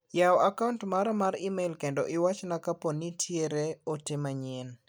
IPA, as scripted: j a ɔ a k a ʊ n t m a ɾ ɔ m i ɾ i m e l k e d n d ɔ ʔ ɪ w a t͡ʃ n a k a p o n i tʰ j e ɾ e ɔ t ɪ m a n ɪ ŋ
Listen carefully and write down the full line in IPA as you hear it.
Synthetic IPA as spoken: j a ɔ a k a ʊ n t m a ɾ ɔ m a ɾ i m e l k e n d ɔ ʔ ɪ w a t͡ʃ n a k a p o n i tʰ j e ɾ e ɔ t ɪ m a ɲ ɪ n

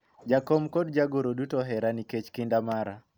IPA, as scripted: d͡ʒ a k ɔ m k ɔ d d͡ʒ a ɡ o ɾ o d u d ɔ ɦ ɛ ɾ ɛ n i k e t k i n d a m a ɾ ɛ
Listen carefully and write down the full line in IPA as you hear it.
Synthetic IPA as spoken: d͡ʒ a k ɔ m k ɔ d d͡ʒ a ɡ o ɾ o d u t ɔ ɦ ɛ ɾ a n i k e t͡ʃ k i n d a m a ɾ a

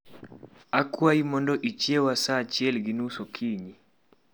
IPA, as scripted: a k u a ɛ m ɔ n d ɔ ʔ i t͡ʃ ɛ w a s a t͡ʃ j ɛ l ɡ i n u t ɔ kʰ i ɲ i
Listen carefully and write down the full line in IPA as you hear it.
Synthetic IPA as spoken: a k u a i m ɔ n d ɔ ʔ i t͡ʃ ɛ w a s a t͡ʃ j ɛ l ɡ i n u s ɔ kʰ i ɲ i

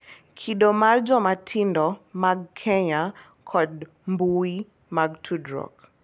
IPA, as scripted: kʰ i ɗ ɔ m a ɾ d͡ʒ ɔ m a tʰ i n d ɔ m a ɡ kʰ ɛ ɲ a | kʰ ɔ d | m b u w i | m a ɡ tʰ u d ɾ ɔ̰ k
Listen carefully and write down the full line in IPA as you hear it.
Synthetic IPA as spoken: kʰ i ɗ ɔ m a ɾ d͡ʒ ɔ m a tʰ i n d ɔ m a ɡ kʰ ɛ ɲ a | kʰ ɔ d | m b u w i | m a ɡ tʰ u d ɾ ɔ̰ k

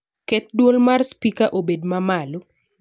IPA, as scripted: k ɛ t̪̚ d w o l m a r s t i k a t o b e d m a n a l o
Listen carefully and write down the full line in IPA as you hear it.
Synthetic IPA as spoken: k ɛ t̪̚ d w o l m a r s p i k a ʔ o b e d m a m a l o

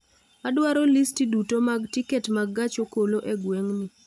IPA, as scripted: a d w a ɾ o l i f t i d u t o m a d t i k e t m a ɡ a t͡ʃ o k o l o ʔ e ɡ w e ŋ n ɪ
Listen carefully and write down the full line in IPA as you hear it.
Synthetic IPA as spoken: a d w a ɾ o l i s t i d u t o m a ɡ t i k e t m a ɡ a t͡ʃ o k o l o ʔ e ɡ w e ŋ n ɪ

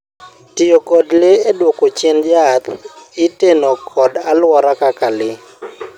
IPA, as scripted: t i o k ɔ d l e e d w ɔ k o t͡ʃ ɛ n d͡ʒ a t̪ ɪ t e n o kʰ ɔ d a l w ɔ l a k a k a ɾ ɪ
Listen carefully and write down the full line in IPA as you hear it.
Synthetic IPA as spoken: t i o k ɔ d l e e d w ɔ k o t͡ʃ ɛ n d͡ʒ a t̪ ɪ t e n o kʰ ɔ d a l w ɔ ɾ a k a k a l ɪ

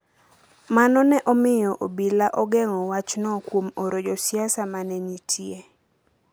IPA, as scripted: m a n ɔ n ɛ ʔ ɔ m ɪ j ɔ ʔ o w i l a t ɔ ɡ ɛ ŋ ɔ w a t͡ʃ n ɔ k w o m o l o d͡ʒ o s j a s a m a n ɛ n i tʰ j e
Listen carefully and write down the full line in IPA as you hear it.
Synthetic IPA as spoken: m a n ɔ n ɛ ʔ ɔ m ɪ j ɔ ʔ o b i l a ʔ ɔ ɡ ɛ ŋ ɔ w a t͡ʃ n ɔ k w o m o ɾ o d͡ʒ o s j a s a m a n ɛ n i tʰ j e

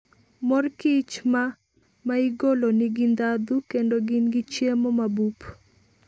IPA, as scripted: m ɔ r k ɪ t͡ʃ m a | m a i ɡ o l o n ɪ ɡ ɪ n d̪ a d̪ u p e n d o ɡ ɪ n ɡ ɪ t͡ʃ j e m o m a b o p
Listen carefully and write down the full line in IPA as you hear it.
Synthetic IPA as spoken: m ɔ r k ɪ t͡ʃ m a | m a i ɡ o l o n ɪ ɡ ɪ n d̪ a d̪ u k e n d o ɡ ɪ n ɡ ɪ t͡ʃ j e m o m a b u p

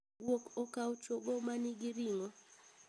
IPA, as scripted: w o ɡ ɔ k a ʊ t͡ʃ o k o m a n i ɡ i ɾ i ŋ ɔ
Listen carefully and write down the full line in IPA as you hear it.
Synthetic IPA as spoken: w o k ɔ k a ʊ t͡ʃ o ɡ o m a n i ɡ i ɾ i ŋ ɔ

